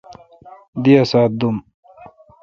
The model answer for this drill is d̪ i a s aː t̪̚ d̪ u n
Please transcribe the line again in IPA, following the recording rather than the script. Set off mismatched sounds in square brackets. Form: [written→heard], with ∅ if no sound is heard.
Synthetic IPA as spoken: d̪ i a s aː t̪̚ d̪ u [n→m]